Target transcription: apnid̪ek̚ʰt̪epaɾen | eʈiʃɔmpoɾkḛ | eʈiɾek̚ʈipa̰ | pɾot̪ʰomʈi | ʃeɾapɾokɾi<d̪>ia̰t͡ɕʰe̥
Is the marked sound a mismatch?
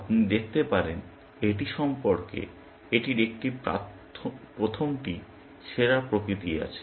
yes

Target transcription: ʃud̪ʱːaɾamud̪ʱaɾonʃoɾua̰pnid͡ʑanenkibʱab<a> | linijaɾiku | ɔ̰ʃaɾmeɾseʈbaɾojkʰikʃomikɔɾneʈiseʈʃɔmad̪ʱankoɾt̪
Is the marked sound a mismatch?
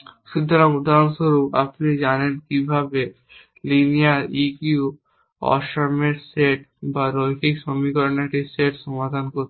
yes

